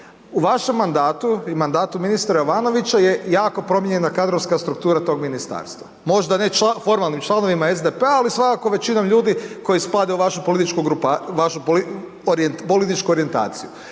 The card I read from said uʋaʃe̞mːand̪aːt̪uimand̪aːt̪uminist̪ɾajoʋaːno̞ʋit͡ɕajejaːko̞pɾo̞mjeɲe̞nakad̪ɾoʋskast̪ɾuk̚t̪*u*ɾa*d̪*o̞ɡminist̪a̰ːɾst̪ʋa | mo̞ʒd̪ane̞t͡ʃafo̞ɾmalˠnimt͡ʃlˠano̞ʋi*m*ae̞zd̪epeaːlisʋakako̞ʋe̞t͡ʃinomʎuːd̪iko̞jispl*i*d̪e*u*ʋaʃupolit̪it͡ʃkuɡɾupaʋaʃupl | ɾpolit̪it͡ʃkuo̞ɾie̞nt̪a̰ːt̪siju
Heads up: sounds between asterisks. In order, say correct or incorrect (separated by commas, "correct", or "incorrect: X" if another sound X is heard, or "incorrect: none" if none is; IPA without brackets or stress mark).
incorrect: uː, incorrect: t̪, correct, incorrect: a, correct